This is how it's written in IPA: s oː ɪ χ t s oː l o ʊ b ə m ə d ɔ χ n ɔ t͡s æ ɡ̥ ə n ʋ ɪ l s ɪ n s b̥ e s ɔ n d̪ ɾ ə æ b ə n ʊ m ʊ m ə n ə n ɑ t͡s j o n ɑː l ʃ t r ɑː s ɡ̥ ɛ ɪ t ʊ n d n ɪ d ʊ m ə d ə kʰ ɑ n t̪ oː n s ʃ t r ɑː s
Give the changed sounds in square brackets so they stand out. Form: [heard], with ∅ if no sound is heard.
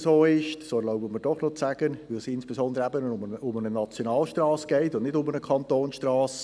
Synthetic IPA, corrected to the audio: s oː ɪ [ʃ] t s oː l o ʊ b ə m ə d ɔ χ n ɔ t͡s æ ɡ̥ ə n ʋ ɪ l s ɪ n s b̥ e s ɔ n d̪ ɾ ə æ b ə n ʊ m ʊ m ə n ə n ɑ t͡s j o n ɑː l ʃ t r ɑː s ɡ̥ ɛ ɪ t ʊ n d n ɪ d ʊ m ə [n] ə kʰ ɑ n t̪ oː n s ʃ t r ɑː s